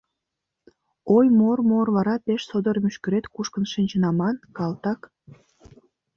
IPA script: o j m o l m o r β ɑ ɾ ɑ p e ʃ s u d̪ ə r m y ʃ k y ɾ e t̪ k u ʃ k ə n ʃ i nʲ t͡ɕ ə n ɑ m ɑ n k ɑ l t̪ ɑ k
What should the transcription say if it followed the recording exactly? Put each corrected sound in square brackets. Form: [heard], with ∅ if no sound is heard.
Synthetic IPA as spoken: o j m o [r] m o r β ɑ ɾ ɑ p e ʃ s [o] d̪ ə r m y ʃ k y ɾ e t̪ k u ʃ k ə n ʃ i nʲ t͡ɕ ə n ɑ m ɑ n k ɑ l t̪ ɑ k